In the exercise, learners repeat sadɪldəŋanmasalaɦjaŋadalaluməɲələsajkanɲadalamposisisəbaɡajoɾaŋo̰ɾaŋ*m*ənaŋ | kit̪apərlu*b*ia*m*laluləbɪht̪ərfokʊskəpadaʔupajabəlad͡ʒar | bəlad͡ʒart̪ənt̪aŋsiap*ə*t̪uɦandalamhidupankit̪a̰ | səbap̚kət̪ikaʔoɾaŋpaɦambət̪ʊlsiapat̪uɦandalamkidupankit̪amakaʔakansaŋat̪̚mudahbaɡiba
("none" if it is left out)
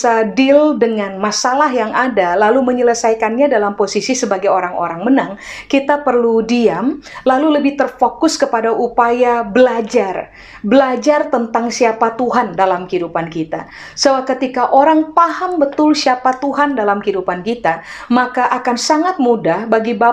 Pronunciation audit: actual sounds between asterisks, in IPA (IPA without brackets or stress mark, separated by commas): m, d, m, a